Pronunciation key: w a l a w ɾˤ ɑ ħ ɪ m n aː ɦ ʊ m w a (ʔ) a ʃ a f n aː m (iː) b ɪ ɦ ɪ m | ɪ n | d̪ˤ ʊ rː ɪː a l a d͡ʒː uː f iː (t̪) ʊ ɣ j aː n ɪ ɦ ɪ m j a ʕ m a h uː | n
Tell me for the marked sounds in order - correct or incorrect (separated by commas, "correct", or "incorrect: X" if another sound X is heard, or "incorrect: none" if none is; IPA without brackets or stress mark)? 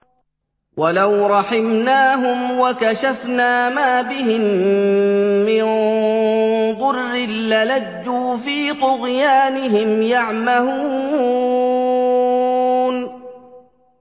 incorrect: k, incorrect: aː, correct